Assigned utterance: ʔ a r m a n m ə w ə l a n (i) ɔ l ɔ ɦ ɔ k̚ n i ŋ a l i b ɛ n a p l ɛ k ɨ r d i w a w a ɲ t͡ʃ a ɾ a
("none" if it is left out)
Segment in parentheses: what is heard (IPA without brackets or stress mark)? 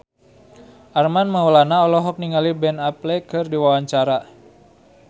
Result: a